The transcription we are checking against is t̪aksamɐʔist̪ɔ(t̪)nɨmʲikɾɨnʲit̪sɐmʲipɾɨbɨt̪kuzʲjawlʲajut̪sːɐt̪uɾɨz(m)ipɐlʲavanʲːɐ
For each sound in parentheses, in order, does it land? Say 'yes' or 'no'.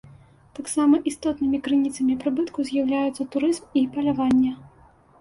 yes, yes

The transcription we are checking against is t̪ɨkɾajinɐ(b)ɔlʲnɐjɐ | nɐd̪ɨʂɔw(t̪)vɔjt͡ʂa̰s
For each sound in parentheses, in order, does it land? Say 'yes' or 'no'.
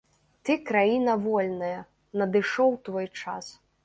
no, yes

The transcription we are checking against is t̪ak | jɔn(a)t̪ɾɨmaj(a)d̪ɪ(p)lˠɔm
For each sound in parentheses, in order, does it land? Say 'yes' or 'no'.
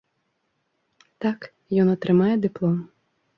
no, no, yes

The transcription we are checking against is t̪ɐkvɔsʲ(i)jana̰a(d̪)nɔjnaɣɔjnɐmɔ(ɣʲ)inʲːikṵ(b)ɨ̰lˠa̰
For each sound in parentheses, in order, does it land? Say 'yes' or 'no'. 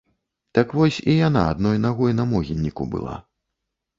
yes, yes, yes, yes

